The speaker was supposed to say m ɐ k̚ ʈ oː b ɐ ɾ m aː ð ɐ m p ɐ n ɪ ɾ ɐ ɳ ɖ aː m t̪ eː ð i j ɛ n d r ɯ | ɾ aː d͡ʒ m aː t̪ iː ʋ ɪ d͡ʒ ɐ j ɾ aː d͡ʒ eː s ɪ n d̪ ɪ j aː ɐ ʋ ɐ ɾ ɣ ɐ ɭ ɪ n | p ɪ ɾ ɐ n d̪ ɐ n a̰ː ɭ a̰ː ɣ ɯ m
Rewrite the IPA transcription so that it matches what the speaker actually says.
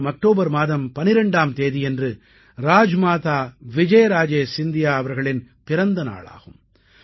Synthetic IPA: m ɐ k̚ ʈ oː b ɐ ɾ m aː ð ɐ m p ɐ n ɪ ɾ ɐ ɳ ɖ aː m t̪ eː ð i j ɛ n d r ɯ | ɾ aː d͡ʒ m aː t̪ aː ʋ ɪ d͡ʒ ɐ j ɾ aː d͡ʒ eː s ɪ n d̪ ɪ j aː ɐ ʋ ɐ ɾ ɣ ɐ ɭ ɪ n | p ɪ ɾ ɐ n d̪ ɐ n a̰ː ɭ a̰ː ɣ ɯ m

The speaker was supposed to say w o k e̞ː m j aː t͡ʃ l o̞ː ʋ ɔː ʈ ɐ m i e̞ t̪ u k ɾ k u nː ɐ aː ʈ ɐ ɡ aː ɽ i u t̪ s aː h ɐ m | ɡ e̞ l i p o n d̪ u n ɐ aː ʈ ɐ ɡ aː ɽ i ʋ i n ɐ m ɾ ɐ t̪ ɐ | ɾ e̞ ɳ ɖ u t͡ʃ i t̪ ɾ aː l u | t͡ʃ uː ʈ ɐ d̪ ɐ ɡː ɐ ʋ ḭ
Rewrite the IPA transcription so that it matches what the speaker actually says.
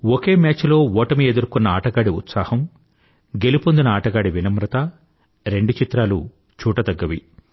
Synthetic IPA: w o k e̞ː m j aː t͡ʃ l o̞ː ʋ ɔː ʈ ɐ m i e̞ d̪ u ɾ k u nː ɐ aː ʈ ɐ ɡ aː ɽ i u t̪ s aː h ɐ m | ɡ e̞ l i p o n d̪ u n ɐ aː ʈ ɐ ɡ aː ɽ i ʋ i n ɐ m ɾ ɐ t̪ ɐ | ɾ e̞ ɳ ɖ u t͡ʃ i t̪ ɾ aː l u | t͡ʃ uː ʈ ɐ d̪ ɐ ɡː ɐ ʋ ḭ

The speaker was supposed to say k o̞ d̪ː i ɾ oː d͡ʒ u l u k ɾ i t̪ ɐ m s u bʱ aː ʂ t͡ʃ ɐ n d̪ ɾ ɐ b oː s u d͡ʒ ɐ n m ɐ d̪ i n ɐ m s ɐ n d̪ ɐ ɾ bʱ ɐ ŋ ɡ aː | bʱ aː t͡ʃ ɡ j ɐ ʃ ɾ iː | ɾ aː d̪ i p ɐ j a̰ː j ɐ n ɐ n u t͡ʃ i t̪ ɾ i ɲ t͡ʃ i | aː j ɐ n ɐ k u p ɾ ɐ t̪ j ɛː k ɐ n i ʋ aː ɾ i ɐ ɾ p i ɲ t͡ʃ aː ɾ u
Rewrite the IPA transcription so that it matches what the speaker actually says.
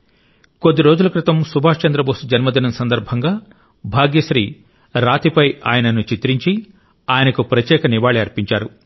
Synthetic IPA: k o̞ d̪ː i ɾ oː d͡ʒ u l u k ɾ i t̪ ɐ m s u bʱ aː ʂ t͡ʃ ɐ n d̪ ɾ ɐ b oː s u d͡ʒ ɐ n m ɐ d̪ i n ɐ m s ɐ n d̪ ɐ ɾ bʱ ɐ ŋ ɡ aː | bʱ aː ɡ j ɐ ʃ ɾ iː | ɾ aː t̪ i p ɐ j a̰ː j ɐ n ɐ n u t͡ʃ i t̪ ɾ i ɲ t͡ʃ i | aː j ɐ n ɐ k u p ɾ ɐ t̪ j ɛː k ɐ n i ʋ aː ɭ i ɐ ɾ p i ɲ t͡ʃ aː ɾ u

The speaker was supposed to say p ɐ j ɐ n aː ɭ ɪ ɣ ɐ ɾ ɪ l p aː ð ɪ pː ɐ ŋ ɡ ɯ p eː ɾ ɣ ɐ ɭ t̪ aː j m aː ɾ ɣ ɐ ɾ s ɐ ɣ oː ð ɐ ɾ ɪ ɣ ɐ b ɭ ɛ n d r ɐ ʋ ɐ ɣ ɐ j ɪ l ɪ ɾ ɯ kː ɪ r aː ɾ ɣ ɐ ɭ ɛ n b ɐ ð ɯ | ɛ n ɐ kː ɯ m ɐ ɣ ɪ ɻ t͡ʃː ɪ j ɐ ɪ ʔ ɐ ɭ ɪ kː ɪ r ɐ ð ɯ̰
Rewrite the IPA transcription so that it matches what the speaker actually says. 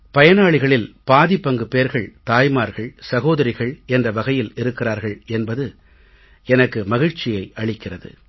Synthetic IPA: p ɐ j ɐ n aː ɭ ɪ ɣ ɐ ɭ ɪ l p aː ð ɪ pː ɐ ŋ ɡ ɯ p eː ɾ ɣ ɐ ɭ t̪ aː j m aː ɾ ɣ ɐ ɭ s ɐ ɣ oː ð ɐ ɾ ɪ ɣ ɐ ɭ ɛ n d r ɐ ʋ ɐ ɣ ɐ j ɪ l ɪ ɾ ɯ kː ɪ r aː ɾ ɣ ɐ ɭ ɛ n b ɐ ð ɯ | ɛ n ɐ kː ɯ m ɐ ɣ ɪ ɻ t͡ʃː ɪ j ɐ ɪ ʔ ɐ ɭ ɪ kː ɪ r ɐ ð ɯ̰

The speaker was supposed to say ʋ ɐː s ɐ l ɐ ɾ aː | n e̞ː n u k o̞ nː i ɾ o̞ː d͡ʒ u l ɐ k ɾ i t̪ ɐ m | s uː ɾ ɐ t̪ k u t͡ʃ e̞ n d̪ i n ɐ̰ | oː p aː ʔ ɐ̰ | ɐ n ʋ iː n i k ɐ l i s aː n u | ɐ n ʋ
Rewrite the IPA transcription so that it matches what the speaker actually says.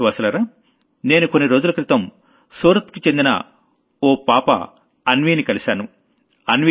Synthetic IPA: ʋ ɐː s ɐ l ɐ ɾ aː | n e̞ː n u k o̞ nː i ɾ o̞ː d͡ʒ u l ɐ k ɾ i t̪ ɐ m | s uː ɾ ɐ t̪ k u t͡ʃ e̞ n d̪ i n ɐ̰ | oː p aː p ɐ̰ | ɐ n ʋ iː n i k ɐ l i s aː n u | ɐ n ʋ

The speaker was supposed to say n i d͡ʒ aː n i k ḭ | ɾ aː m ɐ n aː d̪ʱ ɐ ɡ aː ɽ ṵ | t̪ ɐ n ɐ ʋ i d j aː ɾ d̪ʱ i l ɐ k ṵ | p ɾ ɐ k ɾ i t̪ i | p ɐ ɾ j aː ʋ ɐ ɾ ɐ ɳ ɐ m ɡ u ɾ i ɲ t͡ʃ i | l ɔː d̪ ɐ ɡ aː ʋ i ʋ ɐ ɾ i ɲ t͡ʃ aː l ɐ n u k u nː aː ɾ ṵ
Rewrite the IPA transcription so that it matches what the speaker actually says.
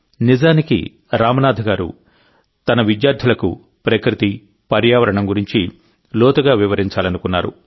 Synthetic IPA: n i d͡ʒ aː n i k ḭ | ɾ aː m ɐ n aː d̪ʱ ɐ ɡ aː ɾ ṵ | t̪ ɐ n ɐ ʋ i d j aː ɾ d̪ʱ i l ɐ k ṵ | p ɾ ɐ k ɾ i t̪ i | p ɐ ɾ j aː ʋ ɐ ɾ ɐ ɳ ɐ m ɡ u ɾ i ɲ t͡ʃ i | l ɔː t̪ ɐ ɡ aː ʋ i ʋ ɐ ɾ i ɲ t͡ʃ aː l ɐ n u k u nː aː ɾ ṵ

